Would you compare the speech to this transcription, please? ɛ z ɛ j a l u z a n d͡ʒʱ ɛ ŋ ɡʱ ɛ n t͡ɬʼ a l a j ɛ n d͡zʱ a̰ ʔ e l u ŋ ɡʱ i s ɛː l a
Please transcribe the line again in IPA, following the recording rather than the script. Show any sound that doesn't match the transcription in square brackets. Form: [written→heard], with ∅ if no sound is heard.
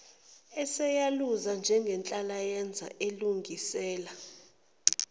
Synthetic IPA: ɛ [z→s] ɛ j a l u z a n d͡ʒʱ ɛ ŋ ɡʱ ɛ n t͡ɬʼ a l a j ɛ n d͡zʱ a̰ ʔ e l u ŋ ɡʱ i s ɛː l a